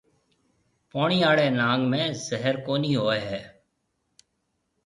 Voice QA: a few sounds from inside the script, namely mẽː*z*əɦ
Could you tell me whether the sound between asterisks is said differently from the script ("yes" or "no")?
no